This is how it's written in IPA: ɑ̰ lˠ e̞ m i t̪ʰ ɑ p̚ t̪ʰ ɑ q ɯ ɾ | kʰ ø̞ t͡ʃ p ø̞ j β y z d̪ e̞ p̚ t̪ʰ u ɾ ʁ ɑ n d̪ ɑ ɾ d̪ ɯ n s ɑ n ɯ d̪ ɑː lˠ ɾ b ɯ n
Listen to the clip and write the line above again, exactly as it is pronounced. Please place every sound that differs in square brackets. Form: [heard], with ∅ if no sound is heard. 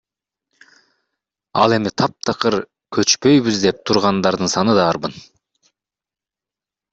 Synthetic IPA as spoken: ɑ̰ lˠ e̞ m i t̪ʰ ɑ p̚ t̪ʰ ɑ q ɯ ɾ | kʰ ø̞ t͡ʃ p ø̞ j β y z d̪ e̞ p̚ t̪ʰ u ɾ ʁ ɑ n d̪ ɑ ɾ d̪ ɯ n s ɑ n ɯ d̪ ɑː [∅] ɾ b ɯ n